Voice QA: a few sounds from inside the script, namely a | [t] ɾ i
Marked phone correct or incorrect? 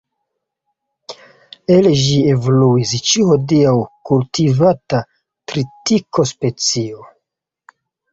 correct